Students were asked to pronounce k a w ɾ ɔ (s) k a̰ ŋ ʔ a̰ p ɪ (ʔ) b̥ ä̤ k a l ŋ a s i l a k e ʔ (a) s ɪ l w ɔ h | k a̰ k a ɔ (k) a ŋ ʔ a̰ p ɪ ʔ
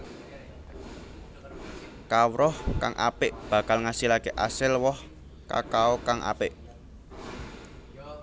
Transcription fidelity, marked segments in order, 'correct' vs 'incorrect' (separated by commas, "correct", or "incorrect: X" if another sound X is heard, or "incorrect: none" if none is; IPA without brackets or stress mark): incorrect: h, correct, correct, correct